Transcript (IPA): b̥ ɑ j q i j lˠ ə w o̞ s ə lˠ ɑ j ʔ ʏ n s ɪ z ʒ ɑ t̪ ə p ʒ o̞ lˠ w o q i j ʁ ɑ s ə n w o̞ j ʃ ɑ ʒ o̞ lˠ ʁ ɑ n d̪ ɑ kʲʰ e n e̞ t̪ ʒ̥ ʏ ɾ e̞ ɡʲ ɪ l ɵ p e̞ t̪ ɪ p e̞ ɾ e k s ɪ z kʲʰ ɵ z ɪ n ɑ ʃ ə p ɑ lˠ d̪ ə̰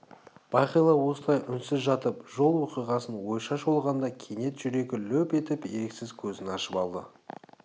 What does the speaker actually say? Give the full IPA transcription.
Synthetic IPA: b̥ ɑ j q i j lˠ ɑ w o̞ s ə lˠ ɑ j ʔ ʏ n s ɪ z ʒ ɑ t̪ ə p ʒ o̞ lˠ w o q i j ʁ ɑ s ə n w o̞ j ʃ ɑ ʃ o̞ lˠ ʁ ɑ n d̪ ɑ kʲʰ e n e̞ t̪ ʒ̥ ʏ ɾ e̞ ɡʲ ɪ l ɵ p e̞ t̪ ɪ p e̞ ɾ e k s ɪ z kʲʰ ɵ z ɪ n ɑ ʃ ə p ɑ lˠ d̪ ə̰